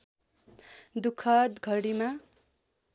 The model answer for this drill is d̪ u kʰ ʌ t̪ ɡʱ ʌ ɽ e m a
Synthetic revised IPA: d̪ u kʰ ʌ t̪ ɡʱ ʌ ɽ i m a

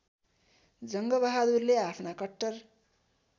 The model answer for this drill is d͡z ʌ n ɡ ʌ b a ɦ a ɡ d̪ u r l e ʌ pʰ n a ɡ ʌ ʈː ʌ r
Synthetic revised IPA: d͡z ʌ ŋ ɡ ʌ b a ɦ a d̪ u r l e a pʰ n a k ʌ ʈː ʌ r

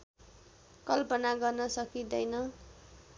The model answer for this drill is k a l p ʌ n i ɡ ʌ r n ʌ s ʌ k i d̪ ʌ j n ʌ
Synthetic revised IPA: k ʌ l p ʌ n a ɡ ʌ r n ʌ s ʌ k i d̪ ʌ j n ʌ

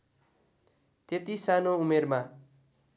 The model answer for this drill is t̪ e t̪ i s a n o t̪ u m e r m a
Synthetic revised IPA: t̪ e t̪ i s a n o u m e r m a

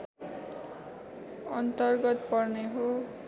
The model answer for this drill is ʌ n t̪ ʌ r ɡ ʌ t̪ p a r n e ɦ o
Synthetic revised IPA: ʌ n t̪ ʌ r ɡ ʌ t̪ p ʌ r n e ɦ o

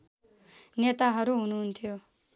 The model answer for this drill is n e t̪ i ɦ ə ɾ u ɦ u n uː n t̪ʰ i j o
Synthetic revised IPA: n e t̪ a ɦ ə ɾ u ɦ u n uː n t̪ʰ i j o

